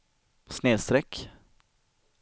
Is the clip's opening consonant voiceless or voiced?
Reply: voiceless